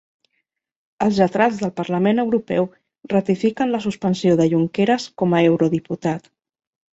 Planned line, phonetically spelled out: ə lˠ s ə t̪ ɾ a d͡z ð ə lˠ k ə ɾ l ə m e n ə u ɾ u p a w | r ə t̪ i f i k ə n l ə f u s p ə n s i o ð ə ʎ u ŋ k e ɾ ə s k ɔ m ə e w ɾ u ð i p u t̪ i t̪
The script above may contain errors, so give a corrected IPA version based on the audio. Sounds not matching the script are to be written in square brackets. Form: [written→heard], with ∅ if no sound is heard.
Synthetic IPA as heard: ə lˠ [s→z] ə t̪ ɾ a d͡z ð ə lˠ [k→p] ə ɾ l ə m e n ə [u→w] ɾ u p [a→ɛ] w | r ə t̪ i f i k ə n l ə [f→s] u s p ə n s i o ð ə ʎ u ŋ k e ɾ ə s k ɔ m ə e w ɾ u ð i p u t̪ [i→a] t̪

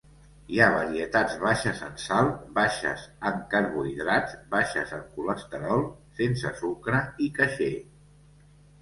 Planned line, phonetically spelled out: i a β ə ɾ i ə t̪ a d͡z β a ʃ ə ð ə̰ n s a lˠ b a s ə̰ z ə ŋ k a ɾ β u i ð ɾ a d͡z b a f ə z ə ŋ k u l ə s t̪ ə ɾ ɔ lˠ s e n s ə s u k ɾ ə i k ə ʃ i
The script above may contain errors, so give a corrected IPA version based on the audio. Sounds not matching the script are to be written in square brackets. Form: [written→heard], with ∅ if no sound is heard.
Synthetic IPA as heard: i a β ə ɾ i ə t̪ a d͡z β a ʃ ə [ð→z] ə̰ n s a lˠ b a [s→ʃ] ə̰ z ə ŋ k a ɾ β u i ð ɾ a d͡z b a [f→ʃ] ə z ə ŋ k u l ə s t̪ ə ɾ ɔ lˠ s e n s ə s u k ɾ ə i k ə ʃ [i→e]

